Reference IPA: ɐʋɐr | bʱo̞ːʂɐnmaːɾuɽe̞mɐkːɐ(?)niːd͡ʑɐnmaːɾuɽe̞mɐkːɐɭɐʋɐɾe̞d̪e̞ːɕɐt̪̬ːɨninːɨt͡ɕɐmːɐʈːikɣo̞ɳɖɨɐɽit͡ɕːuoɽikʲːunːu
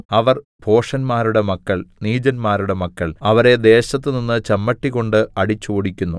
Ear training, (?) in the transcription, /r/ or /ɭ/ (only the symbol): ɭ